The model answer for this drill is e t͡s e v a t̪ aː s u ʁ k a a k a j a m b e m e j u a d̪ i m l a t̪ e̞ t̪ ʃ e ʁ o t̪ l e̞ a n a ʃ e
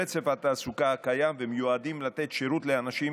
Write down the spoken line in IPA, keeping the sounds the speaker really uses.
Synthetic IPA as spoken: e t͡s e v a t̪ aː s u k a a k a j a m v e m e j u a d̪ i m l a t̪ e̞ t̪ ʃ e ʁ u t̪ l e̞ a n a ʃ i